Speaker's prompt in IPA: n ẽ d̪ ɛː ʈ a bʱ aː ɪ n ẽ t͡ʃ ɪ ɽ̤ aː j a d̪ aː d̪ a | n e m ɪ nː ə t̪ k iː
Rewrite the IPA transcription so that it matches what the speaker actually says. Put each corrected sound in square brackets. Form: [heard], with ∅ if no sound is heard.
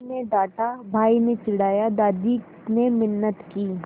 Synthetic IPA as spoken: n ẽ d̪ [aː] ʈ a bʱ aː [i] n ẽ t͡ʃ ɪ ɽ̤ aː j a d̪ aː d̪ [i] | n e m ɪ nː ə t̪ k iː